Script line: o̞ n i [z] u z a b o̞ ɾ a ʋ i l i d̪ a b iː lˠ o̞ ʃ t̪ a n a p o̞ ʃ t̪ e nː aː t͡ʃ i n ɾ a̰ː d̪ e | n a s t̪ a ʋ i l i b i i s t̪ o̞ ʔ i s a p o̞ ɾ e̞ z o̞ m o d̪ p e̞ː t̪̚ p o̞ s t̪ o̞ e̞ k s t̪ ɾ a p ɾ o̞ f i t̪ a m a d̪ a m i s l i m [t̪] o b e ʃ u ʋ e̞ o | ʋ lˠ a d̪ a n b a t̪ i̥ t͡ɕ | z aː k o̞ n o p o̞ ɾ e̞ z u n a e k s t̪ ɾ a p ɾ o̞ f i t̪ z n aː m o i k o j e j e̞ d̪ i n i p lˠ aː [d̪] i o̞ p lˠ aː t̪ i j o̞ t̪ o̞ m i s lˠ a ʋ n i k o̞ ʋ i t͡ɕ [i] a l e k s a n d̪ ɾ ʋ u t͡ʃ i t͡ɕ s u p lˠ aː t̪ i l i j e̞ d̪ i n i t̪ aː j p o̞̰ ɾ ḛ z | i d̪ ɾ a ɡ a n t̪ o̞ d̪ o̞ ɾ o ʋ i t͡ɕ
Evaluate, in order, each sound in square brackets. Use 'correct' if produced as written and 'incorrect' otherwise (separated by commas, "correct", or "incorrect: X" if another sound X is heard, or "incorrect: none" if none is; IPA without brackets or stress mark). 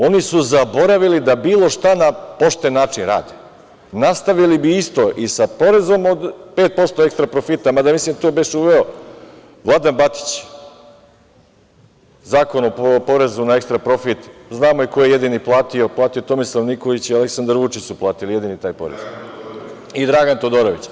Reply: incorrect: s, correct, incorrect: t̪, correct